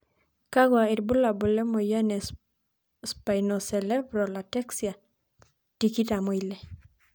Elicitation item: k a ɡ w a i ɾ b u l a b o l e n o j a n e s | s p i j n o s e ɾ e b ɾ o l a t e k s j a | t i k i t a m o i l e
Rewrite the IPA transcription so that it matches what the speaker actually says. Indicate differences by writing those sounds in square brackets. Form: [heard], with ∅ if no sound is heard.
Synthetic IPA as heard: k a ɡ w a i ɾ b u l a b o l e [m] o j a n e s | s p [a] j n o s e [l] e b ɾ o l a t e k s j a | t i k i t a m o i l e

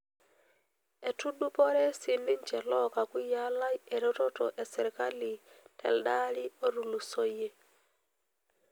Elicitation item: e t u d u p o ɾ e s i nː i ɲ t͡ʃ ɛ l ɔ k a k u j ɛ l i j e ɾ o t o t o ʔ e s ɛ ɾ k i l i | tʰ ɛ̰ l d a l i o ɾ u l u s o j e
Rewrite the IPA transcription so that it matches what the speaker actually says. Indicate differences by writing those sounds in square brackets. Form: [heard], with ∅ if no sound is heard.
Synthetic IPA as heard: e t u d u p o ɾ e s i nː i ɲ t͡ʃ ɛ l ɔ k a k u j [a] l [a] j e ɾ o t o t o ʔ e s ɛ ɾ k [a] l i | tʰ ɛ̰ l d a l i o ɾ u l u s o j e

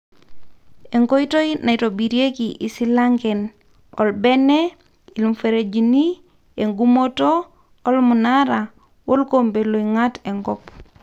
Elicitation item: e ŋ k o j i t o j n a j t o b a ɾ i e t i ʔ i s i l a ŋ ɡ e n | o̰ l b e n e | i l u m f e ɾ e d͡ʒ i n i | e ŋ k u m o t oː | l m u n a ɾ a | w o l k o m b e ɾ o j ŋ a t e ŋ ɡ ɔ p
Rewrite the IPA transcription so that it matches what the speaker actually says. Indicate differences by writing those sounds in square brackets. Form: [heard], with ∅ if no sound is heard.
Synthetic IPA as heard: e ŋ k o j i t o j n a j t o b [i] ɾ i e [k] i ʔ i s i l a ŋ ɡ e n | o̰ l b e n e | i l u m f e ɾ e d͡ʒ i n i | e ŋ [ɡ] u m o t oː | l m u n a ɾ a | w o l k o m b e [l] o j ŋ a t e ŋ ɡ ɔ p

